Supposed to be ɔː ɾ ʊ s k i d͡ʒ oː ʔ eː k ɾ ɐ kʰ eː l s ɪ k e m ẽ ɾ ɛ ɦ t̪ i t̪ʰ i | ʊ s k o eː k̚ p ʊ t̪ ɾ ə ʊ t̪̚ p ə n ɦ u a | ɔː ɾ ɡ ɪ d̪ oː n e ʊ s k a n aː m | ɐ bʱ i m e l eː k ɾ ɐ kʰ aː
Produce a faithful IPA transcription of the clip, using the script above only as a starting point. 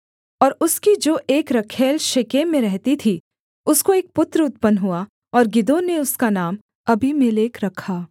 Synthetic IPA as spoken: ɔː ɾ ʊ s k i d͡ʒ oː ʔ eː k ɾ ɐ kʰ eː l ʃ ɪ k e m ẽ ɾ ɛ ɦ t̪ i t̪ʰ i | ʊ s k o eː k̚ p ʊ t̪ ɾ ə ʊ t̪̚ p ə n ɦ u a | ɔː ɾ ɡ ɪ d̪ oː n e ʊ s k a n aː m | ɐ bʱ i m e l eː k ɾ ɐ kʰ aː

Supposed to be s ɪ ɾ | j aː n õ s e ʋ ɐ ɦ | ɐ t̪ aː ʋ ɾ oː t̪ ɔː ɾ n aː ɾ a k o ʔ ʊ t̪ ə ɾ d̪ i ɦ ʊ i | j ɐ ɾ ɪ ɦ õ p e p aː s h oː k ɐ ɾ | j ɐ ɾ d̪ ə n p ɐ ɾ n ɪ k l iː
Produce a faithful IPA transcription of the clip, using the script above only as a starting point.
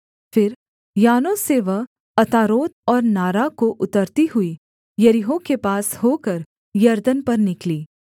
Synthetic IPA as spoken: f ɪ ɾ | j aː n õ s e ʋ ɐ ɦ | ɐ t̪ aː ɾ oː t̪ ɔː ɾ n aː ɾ a k o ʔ ʊ t̪ ə ɾ t̪ i ɦ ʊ i | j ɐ ɾ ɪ ɦ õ k e p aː s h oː k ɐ ɾ | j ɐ ɾ d̪ ə n p ɐ ɾ n ɪ k l iː

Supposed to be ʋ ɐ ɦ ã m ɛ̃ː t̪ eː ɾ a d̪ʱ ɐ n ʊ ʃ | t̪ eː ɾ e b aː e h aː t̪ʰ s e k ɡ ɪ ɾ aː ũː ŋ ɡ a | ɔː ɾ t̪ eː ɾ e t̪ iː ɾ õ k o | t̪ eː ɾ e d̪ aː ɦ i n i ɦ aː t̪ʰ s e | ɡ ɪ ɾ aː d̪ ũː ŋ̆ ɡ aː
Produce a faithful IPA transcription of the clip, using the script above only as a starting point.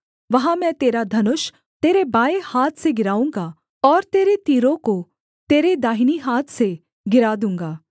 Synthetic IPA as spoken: ʋ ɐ ɦ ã m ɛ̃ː t̪ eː ɾ a d̪ʱ ɐ n ʊ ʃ | t̪ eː ɾ e b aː e h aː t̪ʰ s e ɡ ɪ ɾ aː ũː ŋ ɡ a | ɔː ɾ t̪ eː ɾ e t̪ iː ɾ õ k o | t̪ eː ɾ e d̪ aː ɦ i n i ɦ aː t̪ʰ s e | ɡ ɪ ɾ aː d̪ ũː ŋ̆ ɡ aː

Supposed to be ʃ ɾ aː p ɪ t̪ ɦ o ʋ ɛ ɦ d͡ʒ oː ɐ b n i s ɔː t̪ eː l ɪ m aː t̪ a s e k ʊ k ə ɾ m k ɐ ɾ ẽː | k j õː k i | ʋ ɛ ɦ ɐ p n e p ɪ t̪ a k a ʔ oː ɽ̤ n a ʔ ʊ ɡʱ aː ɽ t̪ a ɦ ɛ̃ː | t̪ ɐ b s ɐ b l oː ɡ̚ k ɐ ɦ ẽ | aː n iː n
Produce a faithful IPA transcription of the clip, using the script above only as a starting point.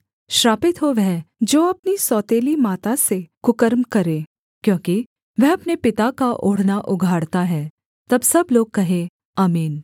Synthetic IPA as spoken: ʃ ɾ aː p ɪ t̪ ɦ o ʋ ɛ ɦ d͡ʒ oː ɐ p n i s ɔː t̪ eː l i m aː t̪ a s e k ʊ k ə ɾ m k ɐ ɾ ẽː | k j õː k i | ʋ ɛ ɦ ɐ p n e p ɪ t̪ a k a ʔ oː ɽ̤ n a ʔ ʊ ɡʱ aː ɽ t̪ a ɦ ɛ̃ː | t̪ ɐ b s ɐ b l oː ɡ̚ k ɐ ɦ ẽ | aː m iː n

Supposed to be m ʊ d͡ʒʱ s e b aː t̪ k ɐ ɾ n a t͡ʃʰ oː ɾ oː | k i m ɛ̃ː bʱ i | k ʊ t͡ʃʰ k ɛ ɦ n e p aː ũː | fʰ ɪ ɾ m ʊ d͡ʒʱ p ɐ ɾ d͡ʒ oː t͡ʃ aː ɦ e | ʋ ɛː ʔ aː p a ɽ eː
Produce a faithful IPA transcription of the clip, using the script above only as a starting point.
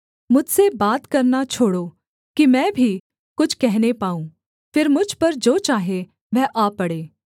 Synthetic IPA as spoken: m ʊ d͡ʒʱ s e b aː t̪ k ɐ ɾ n a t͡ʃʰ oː ɽ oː | k i m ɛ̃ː bʱ i | k ʊ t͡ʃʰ k ɛ ɦ n e p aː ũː | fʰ ɪ ɾ m ʊ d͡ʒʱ p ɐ ɾ d͡ʒ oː t͡ʃ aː ɦ e | ʋ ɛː ʔ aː p ɐ ɽ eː

